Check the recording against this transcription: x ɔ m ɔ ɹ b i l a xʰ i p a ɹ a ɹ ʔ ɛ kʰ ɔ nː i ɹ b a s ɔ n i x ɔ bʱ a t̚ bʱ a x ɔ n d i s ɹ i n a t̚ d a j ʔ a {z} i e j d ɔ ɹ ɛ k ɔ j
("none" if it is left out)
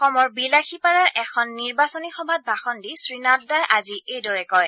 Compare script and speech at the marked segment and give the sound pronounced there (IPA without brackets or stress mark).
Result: z